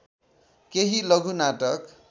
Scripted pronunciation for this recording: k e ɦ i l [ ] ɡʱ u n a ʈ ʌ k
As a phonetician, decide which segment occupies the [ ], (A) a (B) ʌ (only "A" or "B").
B